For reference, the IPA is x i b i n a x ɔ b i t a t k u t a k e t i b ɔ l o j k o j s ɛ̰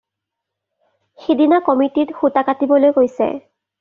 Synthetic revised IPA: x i d i n a k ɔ m i t i t x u t a k a t i b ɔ l o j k o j s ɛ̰